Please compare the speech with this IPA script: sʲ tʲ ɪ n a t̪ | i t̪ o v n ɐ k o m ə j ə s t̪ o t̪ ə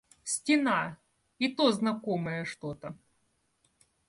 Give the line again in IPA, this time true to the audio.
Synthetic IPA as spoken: sʲ tʲ ɪ n a | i t̪ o z n ɐ k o m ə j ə ʂ t̪ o t̪ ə